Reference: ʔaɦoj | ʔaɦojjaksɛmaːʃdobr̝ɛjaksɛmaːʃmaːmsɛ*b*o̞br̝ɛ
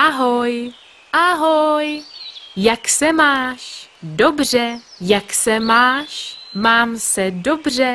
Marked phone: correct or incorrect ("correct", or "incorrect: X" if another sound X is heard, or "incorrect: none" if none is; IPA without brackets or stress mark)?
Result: incorrect: d